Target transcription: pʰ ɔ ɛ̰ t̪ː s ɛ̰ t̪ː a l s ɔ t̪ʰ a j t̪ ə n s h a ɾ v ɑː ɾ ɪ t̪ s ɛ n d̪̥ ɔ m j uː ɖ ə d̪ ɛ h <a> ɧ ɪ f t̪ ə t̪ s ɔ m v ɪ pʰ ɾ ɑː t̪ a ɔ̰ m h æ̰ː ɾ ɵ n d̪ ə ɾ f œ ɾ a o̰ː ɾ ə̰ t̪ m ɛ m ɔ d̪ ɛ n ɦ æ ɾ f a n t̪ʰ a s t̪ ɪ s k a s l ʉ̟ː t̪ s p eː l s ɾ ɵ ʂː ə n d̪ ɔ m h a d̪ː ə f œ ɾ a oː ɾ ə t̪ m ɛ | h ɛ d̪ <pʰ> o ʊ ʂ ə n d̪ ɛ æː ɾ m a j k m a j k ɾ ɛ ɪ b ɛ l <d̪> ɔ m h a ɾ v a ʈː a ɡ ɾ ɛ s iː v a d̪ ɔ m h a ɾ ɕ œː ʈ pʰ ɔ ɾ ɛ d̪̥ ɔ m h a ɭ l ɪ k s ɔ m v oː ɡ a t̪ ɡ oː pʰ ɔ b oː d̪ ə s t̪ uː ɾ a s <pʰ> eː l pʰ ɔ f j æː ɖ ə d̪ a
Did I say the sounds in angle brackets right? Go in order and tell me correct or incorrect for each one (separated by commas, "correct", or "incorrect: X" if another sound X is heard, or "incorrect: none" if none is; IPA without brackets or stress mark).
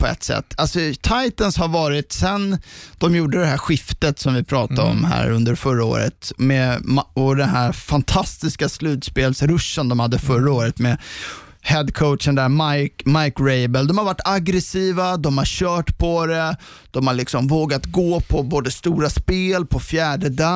incorrect: æ, incorrect: kʰ, correct, incorrect: p